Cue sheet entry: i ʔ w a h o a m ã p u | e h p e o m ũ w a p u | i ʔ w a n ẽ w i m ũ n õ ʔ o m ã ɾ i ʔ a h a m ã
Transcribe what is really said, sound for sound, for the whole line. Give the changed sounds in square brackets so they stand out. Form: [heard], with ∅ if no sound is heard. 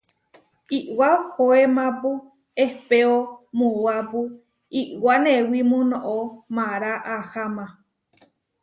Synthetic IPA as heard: i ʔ w a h o [e] m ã p u | e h p e o m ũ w a p u | i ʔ w a n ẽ w i m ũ n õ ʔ o m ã ɾ [a] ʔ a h a m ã